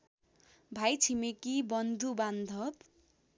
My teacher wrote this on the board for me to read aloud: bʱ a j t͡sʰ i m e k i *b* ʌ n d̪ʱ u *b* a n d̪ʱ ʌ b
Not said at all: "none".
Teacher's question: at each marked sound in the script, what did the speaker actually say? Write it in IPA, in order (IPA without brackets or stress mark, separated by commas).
b, b